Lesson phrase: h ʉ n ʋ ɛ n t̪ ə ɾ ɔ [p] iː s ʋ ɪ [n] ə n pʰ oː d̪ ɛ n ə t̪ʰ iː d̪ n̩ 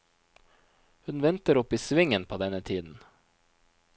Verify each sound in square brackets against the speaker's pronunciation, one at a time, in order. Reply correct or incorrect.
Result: correct, incorrect: ŋ

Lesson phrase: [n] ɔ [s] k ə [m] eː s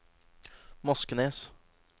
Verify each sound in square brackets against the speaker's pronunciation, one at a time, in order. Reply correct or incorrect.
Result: incorrect: m, correct, incorrect: n

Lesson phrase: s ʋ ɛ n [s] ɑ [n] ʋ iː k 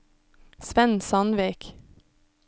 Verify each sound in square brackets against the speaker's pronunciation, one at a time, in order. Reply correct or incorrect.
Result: correct, correct

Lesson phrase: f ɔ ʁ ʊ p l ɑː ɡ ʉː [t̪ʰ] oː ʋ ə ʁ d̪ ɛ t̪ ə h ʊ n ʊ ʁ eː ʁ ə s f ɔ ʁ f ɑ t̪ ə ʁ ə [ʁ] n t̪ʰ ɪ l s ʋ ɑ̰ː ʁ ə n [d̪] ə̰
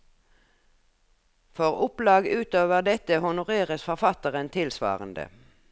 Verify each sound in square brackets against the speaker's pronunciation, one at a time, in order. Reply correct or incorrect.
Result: incorrect: t̪, incorrect: none, correct

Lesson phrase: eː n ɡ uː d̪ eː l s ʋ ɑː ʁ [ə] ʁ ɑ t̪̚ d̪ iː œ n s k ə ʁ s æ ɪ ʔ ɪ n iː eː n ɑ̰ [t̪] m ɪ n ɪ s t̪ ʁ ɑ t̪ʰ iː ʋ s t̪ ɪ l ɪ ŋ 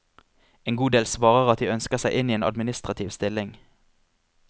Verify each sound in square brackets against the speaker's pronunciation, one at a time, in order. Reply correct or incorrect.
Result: correct, incorrect: d̪

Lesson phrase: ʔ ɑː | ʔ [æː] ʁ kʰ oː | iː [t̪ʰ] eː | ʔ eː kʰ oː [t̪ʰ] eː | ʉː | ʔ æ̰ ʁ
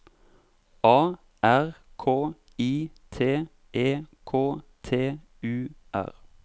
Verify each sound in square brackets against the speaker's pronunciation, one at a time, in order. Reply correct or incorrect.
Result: incorrect: æ, correct, correct

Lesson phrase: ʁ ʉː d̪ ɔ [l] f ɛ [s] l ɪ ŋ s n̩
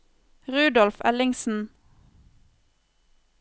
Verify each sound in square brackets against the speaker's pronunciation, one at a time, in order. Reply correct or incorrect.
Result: correct, incorrect: none

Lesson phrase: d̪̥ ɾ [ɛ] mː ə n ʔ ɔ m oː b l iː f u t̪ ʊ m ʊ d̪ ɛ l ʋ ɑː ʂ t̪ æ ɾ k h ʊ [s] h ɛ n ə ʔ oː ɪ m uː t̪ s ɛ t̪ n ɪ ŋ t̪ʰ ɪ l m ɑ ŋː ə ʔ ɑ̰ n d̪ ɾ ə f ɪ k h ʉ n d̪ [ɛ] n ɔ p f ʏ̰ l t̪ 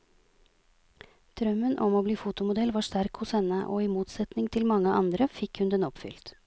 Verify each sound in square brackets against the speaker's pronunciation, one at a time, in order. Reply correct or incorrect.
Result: incorrect: œ, correct, correct

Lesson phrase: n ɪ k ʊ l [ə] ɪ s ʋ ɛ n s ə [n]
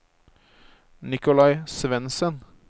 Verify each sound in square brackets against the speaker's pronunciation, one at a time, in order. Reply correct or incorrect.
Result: incorrect: ɑ, correct

